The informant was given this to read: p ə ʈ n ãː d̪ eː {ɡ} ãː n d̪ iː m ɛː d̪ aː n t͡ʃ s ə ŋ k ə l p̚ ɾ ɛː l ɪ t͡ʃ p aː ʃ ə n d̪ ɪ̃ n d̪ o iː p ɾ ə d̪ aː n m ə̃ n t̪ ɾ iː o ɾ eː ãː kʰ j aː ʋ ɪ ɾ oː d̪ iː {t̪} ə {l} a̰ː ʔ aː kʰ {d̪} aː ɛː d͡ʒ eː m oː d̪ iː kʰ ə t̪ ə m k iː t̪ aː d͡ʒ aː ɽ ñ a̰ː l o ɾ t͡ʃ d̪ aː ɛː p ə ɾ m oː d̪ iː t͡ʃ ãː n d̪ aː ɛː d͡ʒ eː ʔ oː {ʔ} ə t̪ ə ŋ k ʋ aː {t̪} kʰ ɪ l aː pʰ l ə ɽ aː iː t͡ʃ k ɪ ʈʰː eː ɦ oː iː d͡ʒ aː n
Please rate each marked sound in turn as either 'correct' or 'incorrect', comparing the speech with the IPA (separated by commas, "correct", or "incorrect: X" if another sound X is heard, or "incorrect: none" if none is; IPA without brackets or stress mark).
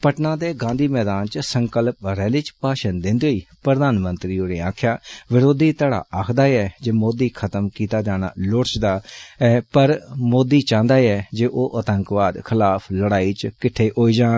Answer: correct, correct, incorrect: ɽ, correct, correct, incorrect: d̪